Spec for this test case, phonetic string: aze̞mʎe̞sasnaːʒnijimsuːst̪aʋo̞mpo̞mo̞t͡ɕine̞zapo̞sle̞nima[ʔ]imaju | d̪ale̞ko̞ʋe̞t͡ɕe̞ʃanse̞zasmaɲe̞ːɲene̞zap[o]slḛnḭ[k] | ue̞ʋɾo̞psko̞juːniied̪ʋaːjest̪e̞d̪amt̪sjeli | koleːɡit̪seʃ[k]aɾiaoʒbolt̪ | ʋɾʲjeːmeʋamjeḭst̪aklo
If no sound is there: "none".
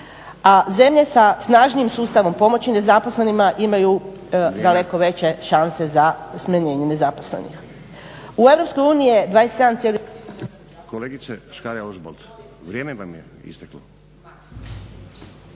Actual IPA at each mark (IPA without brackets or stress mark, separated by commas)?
ʔ, o, x, k